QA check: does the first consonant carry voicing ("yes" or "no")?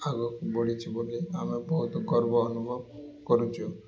yes